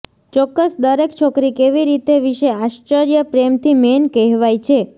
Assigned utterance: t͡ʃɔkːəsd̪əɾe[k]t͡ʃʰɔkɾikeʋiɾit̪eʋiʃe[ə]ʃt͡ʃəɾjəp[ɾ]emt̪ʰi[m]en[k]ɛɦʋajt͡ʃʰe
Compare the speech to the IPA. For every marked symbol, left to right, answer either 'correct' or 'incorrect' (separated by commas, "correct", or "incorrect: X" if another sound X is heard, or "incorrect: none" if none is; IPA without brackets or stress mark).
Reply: correct, incorrect: a, correct, correct, correct